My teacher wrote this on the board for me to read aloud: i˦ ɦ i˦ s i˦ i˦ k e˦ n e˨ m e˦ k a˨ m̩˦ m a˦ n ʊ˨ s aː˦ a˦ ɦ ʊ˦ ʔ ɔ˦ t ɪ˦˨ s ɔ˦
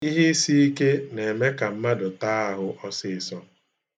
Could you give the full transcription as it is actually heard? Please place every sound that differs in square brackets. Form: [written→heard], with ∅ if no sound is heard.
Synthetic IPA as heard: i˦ ɦ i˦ s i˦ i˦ k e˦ n e˨ m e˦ k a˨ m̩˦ m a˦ [n→d] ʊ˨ [s→t] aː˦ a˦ ɦ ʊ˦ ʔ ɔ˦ [t→s] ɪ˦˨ s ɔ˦